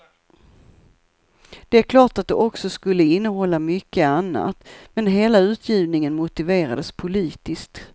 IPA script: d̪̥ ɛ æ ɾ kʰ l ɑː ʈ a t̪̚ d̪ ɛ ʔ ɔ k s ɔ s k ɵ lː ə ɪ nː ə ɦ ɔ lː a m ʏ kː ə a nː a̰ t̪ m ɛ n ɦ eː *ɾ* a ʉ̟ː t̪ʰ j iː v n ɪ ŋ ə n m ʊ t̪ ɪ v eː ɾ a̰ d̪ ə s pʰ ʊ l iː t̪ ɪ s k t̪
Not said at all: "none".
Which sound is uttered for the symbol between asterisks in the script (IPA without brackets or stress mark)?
l